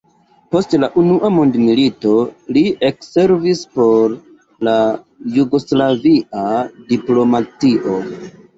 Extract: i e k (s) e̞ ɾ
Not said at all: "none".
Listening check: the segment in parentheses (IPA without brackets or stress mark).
s